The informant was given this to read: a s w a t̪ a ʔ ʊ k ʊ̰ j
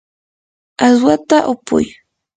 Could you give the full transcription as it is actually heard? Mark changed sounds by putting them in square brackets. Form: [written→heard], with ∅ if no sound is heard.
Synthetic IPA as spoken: a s w a t̪ a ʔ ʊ [k→p] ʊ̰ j